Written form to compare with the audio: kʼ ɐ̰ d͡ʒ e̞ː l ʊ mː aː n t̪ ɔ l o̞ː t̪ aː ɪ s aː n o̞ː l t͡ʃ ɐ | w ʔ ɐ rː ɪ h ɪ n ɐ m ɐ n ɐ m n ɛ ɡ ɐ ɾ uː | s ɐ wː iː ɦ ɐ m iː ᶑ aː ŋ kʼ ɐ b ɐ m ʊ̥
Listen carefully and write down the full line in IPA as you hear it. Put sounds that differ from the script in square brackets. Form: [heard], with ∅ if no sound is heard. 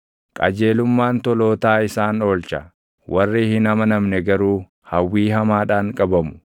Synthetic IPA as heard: kʼ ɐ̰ d͡ʒ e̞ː l ʊ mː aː n t̪ ɔ l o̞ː t̪ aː ɪ s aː n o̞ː l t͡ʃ ɐ | w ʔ ɐ rː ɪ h ɪ n ɐ m ɐ n ɐ m n ɛ ɡ ɐ ɾ uː | [h] ɐ wː iː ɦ ɐ m [aː] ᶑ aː ŋ kʼ ɐ b ɐ m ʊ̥